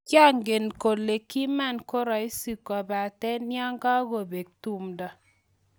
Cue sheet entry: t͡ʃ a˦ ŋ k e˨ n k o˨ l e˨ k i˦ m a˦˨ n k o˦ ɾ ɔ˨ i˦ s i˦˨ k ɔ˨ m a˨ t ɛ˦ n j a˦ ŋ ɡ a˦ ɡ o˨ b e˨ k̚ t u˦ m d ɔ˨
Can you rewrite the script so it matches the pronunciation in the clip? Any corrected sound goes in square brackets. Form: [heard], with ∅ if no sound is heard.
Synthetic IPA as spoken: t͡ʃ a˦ ŋ [ɡ] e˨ n k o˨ l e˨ k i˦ m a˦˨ n k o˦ ɾ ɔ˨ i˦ s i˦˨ k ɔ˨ [b] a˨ t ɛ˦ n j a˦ ŋ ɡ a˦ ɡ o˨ b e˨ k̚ t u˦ m d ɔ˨

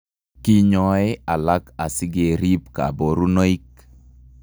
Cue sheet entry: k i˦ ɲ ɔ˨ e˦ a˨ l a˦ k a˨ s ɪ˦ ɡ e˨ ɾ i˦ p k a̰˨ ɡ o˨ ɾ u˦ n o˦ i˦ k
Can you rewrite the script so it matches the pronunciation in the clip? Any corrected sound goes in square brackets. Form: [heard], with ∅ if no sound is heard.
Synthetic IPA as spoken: k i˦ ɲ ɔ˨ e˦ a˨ l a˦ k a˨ s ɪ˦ ɡ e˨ ɾ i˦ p k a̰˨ [b] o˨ ɾ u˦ n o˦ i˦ k

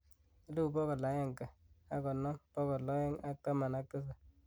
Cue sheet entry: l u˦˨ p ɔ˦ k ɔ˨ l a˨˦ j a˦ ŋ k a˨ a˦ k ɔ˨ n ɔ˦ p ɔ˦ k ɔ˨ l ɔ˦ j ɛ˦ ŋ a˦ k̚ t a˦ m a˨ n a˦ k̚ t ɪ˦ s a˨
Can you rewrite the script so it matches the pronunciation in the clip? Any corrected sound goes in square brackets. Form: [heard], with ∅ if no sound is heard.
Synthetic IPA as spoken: l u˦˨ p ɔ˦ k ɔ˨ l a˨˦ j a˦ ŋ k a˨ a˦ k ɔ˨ n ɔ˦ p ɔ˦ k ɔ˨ l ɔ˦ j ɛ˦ ŋ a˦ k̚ t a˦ m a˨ n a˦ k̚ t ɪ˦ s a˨

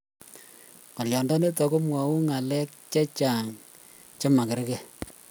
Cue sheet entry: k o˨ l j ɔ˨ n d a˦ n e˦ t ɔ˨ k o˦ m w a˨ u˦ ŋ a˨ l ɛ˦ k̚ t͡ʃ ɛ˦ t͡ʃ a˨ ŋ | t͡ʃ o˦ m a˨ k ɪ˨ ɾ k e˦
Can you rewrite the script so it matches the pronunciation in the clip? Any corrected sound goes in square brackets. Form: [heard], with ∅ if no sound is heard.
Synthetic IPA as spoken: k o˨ l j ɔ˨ n d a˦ n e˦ t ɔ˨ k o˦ m w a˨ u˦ ŋ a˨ l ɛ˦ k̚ t͡ʃ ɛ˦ t͡ʃ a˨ ŋ | t͡ʃ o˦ m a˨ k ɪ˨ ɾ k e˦

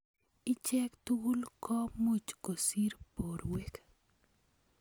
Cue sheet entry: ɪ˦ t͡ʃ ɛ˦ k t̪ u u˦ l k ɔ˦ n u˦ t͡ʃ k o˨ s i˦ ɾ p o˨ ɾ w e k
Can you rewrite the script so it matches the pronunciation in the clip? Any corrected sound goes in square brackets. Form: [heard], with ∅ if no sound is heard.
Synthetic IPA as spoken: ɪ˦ t͡ʃ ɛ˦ k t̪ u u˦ l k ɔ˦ [m] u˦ t͡ʃ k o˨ s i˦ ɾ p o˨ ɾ w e k

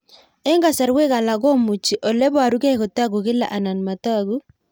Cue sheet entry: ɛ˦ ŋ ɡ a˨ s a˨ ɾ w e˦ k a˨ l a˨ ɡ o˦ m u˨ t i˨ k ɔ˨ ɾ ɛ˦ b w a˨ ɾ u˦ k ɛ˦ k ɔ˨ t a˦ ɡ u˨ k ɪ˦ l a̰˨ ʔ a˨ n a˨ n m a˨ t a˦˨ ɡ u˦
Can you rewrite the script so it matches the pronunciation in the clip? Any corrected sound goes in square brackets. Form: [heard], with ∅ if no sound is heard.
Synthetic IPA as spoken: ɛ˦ ŋ ɡ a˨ s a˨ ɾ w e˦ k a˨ l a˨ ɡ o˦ m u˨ [t͡ʃ] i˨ [ʔ] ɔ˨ [l] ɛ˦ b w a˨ ɾ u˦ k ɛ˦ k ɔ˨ t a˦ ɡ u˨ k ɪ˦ l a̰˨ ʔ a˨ n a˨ n m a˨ t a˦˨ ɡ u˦

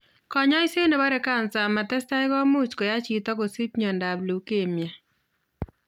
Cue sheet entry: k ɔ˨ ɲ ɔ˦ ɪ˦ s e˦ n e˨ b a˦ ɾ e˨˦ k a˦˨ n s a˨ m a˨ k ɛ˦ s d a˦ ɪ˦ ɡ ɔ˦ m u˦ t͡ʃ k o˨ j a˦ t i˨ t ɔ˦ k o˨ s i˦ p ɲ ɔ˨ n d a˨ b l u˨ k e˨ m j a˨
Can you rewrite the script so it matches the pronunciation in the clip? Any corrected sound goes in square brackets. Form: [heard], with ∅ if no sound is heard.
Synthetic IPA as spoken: k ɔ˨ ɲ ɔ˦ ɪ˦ s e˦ n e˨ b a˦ ɾ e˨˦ k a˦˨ n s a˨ m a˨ [t] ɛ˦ s [t] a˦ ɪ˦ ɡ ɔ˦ m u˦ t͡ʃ k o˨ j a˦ [t͡ʃ] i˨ t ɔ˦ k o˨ s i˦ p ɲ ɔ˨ n d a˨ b l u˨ k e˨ m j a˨

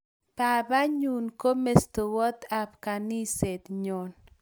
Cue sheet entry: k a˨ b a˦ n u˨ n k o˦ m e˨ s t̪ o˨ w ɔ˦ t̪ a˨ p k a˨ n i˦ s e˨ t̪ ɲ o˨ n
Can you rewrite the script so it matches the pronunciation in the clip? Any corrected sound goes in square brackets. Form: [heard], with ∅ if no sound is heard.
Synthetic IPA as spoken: [p] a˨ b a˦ [ɲ] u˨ n k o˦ m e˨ s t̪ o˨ w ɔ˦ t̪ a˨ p k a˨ n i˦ s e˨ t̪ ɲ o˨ n

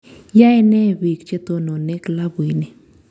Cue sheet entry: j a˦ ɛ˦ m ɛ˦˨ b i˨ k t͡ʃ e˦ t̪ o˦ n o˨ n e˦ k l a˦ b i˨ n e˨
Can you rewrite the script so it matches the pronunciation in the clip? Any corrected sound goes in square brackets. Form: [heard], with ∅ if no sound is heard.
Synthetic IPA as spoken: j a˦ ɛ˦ [n] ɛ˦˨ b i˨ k t͡ʃ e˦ t̪ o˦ n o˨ n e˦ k l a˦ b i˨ n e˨

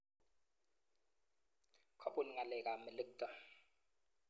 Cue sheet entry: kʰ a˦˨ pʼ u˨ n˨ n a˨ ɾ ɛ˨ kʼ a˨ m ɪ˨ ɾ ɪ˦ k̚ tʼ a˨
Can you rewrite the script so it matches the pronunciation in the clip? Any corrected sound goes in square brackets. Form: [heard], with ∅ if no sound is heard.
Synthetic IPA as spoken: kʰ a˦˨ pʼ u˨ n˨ [ŋ] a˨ [l] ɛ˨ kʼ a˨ m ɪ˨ [l] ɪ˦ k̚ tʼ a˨

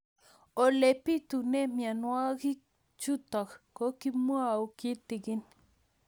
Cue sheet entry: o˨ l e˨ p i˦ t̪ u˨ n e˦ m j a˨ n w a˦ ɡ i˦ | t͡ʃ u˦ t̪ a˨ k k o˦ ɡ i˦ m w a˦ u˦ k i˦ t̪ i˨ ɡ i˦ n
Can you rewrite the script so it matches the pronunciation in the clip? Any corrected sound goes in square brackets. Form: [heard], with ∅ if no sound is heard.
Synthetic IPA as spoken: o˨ l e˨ p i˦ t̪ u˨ n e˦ m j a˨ n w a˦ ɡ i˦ | t͡ʃ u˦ t̪ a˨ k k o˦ [k] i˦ m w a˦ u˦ k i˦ t̪ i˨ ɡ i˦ n

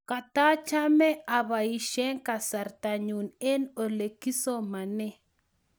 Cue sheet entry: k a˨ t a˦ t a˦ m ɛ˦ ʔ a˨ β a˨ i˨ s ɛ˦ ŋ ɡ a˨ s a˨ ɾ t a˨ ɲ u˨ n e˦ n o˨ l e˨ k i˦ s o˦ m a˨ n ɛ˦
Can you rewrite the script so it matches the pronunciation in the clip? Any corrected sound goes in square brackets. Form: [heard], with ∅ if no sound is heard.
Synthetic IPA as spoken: k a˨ t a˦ [t͡ʃ] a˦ m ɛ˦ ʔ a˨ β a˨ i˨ [ʃ] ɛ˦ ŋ [k] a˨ s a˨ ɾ t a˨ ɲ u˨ n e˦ n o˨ l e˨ k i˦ s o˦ m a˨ n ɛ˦

